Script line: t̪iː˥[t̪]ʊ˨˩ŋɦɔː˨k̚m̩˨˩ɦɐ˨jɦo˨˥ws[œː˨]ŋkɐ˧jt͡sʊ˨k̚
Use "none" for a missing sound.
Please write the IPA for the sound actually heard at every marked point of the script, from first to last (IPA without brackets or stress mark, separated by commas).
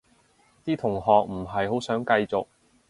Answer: t̪ʰ, œː˨˥